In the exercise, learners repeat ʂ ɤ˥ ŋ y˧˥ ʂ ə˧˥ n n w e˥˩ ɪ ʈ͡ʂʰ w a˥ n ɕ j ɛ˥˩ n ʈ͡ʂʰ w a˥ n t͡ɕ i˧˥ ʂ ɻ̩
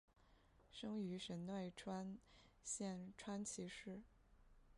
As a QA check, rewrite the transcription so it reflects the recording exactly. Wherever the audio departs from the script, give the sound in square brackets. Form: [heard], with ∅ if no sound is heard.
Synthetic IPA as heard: ʂ ɤ˥ ŋ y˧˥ ʂ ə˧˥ n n w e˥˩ ɪ ʈ͡ʂʰ w a˥ n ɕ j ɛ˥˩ n ʈ͡ʂʰ w a˥ n [t͡ɕʰ] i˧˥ ʂ ɻ̩